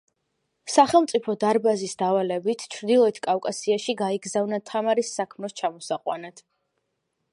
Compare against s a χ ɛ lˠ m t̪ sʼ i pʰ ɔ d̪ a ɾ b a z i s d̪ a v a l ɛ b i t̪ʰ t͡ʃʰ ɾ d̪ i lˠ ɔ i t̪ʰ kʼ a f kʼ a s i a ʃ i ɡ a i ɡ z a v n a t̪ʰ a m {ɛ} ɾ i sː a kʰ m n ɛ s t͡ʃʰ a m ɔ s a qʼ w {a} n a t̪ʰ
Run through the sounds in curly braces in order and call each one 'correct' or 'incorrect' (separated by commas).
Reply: incorrect, correct